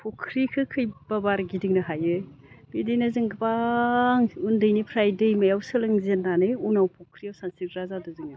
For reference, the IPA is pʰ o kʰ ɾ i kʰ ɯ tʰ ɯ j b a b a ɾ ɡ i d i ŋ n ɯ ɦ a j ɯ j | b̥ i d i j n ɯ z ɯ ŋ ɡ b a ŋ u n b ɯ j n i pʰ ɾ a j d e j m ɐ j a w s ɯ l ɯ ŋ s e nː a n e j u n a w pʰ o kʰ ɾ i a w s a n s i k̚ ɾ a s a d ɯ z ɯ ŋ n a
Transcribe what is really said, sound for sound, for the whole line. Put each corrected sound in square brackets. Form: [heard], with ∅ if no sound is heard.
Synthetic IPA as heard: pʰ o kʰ ɾ i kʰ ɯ [kʰ] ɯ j b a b a ɾ ɡ i d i ŋ n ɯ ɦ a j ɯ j | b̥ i d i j n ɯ z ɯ ŋ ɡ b a ŋ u n [d] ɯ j n i pʰ ɾ a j d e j m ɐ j a w s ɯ l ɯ ŋ [z] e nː a n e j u n a w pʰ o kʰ ɾ i a w s a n s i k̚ ɾ a [z] a d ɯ z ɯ ŋ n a

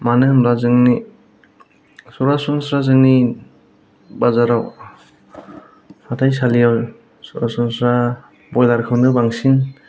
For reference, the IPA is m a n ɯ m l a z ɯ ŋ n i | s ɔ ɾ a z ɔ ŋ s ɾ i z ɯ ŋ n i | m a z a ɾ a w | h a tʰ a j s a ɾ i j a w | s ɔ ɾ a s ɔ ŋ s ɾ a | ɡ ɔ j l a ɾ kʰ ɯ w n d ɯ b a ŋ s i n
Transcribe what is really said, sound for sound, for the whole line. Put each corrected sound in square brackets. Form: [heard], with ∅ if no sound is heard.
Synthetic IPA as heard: m a n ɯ m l a z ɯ ŋ n i | s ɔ ɾ a [s] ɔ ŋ s ɾ [a] z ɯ ŋ n i | [b] a z a ɾ a w | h a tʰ a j s a [l] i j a w | s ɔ ɾ a s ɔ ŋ s ɾ a | [b] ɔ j l a ɾ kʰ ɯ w n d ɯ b a ŋ s i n

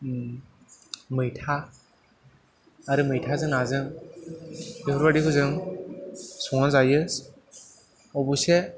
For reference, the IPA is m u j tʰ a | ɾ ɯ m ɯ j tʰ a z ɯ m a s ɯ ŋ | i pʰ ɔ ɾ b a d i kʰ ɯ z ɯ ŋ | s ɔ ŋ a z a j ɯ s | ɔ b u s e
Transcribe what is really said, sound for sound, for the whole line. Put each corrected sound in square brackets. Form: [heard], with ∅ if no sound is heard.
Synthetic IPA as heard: m [ɯ] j tʰ a | ɾ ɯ m ɯ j tʰ a z ɯ [ŋ] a [z] ɯ ŋ | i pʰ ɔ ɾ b a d i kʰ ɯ z ɯ ŋ | s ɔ ŋ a z a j ɯ s | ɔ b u s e

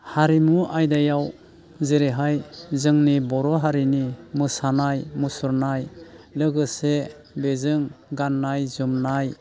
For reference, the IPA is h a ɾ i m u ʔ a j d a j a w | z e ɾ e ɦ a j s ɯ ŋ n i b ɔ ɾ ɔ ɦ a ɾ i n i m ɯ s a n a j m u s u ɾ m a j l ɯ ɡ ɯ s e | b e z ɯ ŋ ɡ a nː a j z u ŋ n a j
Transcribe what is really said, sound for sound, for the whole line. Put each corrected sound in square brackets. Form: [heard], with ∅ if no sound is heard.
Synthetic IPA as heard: h a ɾ i m u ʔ a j d a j a w | z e ɾ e ɦ a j [z] ɯ ŋ n i b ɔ ɾ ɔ ɦ a ɾ i n i m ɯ s a n a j m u s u ɾ [n] a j l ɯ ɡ ɯ s e | b e z ɯ ŋ ɡ a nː a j z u [m] n a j

